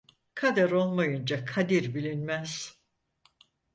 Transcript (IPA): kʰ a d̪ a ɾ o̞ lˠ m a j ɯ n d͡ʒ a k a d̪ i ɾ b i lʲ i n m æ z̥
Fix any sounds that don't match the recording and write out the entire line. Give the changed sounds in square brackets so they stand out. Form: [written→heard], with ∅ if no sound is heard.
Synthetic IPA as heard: kʰ a d̪ a ɾ o̞ lˠ m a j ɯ n d͡ʒ a [k→kʰ] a d̪ i ɾ b i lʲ i n m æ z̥

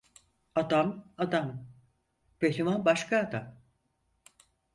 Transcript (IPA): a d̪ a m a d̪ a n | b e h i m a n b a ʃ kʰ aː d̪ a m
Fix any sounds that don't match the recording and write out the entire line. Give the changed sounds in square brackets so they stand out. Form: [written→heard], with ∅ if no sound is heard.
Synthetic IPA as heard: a d̪ a m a d̪ a [n→m] | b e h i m a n b a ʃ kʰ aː d̪ a m

